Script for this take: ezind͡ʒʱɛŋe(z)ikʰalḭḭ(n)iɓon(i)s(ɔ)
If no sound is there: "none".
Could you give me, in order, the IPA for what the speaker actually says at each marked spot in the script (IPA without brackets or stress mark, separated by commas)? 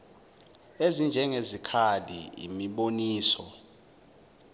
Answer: z, m, iː, ɔ